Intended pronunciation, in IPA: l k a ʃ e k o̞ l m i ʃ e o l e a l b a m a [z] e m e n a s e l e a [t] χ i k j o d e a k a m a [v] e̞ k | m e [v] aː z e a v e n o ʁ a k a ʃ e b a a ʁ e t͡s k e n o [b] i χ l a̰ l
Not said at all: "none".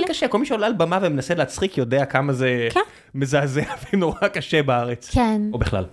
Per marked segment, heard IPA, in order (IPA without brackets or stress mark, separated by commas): v, t͡s, z, z, b